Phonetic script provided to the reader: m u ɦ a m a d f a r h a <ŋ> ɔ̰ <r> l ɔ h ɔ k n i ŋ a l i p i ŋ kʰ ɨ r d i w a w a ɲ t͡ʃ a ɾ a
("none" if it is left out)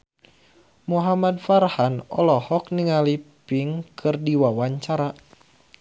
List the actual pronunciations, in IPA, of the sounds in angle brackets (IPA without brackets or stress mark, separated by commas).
n, none